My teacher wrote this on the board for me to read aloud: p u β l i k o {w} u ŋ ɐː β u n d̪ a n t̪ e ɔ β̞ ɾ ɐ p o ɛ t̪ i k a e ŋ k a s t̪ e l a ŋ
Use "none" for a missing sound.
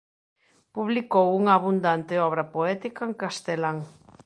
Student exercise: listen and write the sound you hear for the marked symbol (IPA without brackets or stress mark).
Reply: w